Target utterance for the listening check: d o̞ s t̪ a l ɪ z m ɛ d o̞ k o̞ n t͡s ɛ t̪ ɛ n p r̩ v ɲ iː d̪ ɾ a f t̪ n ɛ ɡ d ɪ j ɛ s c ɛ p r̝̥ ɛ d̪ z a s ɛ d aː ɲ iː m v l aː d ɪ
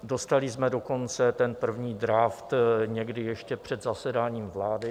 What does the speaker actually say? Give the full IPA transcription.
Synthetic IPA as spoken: d o̞ s t̪ a l ɪ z m ɛ d o̞ k o̞ n t͡s ɛ t̪ ɛ n p r̩ v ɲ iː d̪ ɾ a f t̪ ɲ ɛ ɡ d ɪ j ɛ ʃ c ɛ p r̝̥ ɛ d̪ z a s ɛ d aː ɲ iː m v l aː d ɪ